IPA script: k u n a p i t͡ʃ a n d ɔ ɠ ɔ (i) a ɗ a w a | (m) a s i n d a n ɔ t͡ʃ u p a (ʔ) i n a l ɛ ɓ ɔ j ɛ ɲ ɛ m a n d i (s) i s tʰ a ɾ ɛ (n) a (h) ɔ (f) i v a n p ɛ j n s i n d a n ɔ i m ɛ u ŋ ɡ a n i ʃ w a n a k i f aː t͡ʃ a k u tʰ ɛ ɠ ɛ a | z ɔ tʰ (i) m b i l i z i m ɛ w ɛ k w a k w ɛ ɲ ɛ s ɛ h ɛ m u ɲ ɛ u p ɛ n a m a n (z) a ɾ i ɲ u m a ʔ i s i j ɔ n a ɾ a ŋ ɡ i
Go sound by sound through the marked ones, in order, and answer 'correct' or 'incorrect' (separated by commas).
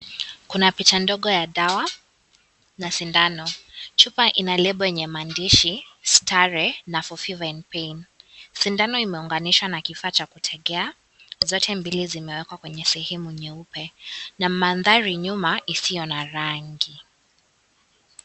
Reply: incorrect, incorrect, correct, incorrect, correct, incorrect, correct, incorrect, incorrect